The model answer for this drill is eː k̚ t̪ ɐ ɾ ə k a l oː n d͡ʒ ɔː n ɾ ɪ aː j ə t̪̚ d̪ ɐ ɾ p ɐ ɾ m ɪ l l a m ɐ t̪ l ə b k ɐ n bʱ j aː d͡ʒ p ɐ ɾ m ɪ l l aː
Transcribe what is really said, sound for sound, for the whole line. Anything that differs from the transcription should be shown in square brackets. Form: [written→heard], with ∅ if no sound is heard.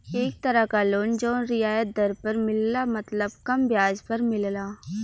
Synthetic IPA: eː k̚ t̪ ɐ ɾ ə k a l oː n d͡ʒ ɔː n ɾ ɪ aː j ə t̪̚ d̪ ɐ ɾ p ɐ ɾ m ɪ l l a m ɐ t̪ l ə b k ɐ [n→m] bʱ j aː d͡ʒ p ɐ ɾ m ɪ l l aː